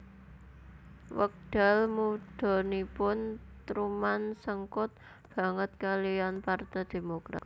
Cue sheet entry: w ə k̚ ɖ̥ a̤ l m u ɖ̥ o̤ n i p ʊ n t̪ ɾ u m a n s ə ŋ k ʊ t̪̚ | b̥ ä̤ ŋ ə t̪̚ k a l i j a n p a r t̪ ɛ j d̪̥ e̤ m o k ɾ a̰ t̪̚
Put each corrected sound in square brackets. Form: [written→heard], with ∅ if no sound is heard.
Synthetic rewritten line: w ə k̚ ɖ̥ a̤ l m u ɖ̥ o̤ n i p ʊ n t̪ ɾ u m a n s ə ŋ k ʊ t̪̚ | b̥ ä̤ ŋ ə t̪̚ k a l i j a n p a r t̪ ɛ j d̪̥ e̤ m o k ɾ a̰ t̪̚